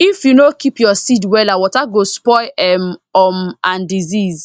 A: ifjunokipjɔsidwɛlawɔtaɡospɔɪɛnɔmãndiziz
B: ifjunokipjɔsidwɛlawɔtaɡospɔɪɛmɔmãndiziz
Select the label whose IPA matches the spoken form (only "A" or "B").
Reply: B